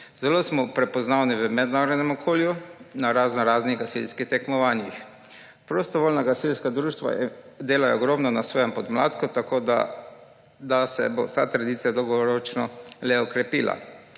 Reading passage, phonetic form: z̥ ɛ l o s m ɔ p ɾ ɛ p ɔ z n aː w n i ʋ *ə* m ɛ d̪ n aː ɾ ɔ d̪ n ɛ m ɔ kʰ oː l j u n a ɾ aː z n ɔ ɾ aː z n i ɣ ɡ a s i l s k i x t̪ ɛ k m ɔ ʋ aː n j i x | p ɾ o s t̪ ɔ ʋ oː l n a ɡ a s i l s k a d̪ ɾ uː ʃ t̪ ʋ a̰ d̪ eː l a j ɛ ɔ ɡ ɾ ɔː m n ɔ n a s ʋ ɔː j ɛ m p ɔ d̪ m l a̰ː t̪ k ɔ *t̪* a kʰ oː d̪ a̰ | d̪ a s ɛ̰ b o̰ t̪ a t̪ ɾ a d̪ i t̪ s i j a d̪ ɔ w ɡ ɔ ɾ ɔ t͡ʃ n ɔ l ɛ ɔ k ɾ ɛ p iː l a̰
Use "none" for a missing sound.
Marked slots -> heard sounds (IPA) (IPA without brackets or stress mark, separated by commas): ə, t̪